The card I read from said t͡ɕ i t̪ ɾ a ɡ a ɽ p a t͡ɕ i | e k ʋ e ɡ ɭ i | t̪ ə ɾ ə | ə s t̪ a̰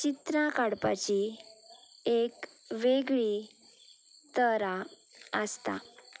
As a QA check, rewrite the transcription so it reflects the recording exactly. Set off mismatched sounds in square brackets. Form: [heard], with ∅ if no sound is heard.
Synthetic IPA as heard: t͡ɕ i t̪ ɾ a [k] a ɽ p a t͡ɕ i | e k ʋ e ɡ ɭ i | t̪ ə ɾ [a] | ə s t̪ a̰